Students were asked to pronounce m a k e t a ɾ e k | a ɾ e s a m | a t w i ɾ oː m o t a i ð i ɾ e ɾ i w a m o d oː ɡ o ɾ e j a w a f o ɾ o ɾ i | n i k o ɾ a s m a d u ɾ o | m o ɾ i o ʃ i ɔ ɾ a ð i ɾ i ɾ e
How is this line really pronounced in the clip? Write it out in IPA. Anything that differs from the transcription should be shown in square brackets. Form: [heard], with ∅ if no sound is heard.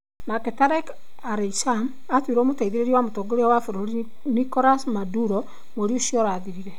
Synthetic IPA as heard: [n] a k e t a ɾ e k | a ɾ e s a m | a t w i ɾ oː m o t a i ð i ɾ e ɾ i w a m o [t] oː ɡ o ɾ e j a w a f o ɾ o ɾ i | n i k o ɾ a s m a d u ɾ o | m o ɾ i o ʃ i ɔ ɾ a ð i ɾ i ɾ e